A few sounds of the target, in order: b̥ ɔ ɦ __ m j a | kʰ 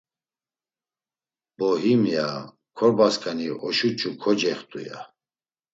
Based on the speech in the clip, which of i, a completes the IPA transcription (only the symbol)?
i